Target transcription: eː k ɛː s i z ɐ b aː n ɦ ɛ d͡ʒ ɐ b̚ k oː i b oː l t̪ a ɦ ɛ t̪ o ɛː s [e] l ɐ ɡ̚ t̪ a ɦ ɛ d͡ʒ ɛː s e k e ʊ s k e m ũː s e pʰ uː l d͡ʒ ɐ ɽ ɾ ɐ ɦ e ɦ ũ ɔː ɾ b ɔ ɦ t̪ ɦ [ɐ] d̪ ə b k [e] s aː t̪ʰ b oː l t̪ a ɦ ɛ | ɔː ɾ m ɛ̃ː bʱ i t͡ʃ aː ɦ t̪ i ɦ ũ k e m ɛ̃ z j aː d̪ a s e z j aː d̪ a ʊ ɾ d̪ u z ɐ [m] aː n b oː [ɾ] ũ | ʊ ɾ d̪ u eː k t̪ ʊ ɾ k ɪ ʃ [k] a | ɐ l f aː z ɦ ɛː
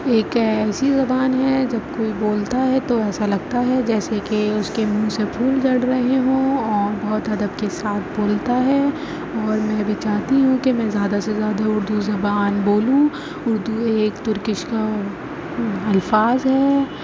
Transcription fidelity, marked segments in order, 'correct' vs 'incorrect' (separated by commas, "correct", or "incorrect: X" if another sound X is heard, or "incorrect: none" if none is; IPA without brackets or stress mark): incorrect: a, correct, correct, incorrect: b, incorrect: l, correct